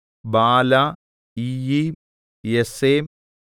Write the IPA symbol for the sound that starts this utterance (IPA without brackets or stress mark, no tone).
b